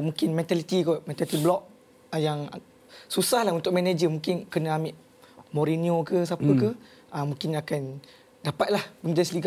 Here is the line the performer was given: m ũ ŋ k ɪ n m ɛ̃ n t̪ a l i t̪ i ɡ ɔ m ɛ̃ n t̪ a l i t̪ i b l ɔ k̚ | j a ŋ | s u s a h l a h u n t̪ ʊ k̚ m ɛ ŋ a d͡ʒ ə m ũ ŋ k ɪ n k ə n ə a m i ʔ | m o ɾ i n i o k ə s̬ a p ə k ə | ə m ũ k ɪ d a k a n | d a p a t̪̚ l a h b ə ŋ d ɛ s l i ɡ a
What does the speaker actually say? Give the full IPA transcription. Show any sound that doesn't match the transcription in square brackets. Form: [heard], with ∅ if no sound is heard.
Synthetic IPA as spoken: m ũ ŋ k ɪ n m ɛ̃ n t̪ a l i t̪ i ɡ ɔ m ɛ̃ n t̪ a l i t̪ i b l ɔ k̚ | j a ŋ | s u s a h l a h u n t̪ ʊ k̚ m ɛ [n] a d͡ʒ ə m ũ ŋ k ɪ n k ə n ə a m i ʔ | m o ɾ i n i o k ə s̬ a p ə k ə | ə m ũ k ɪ [n] a k a n | d a p a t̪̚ l a h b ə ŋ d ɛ s l i ɡ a